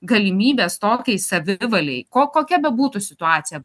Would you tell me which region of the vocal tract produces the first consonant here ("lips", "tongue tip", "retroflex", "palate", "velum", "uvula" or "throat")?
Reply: velum